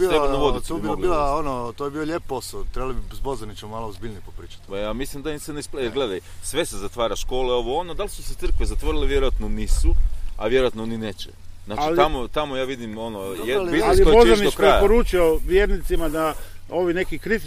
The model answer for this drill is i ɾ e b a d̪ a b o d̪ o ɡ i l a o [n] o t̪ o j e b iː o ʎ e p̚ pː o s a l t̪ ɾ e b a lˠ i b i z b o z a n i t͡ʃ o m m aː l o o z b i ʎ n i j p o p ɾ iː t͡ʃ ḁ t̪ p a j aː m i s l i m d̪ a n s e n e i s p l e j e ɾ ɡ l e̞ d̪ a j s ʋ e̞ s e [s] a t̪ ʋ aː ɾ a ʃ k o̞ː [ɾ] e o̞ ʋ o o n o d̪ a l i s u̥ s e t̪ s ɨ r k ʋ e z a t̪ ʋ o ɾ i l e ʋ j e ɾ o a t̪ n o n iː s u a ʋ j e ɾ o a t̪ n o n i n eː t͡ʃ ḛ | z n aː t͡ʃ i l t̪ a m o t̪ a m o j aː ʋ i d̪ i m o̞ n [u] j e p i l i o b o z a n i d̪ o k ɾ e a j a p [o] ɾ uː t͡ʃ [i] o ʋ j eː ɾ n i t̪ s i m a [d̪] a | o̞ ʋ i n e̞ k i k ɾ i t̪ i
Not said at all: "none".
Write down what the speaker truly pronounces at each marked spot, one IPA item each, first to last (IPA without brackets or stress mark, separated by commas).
n, z, l, o, o, i, d̪